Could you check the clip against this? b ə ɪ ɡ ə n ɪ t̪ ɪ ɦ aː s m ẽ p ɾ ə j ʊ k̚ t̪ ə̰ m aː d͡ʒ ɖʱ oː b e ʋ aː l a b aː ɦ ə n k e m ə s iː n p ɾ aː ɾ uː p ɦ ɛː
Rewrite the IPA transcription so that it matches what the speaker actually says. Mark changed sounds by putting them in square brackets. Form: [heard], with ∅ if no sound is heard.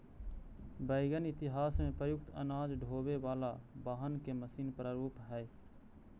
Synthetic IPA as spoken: b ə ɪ ɡ ə n ɪ t̪ ɪ ɦ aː s m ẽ p ɾ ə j ʊ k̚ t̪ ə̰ [n] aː d͡ʒ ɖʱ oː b e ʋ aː l a b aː ɦ ə n k e m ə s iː n p ɾ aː ɾ uː p ɦ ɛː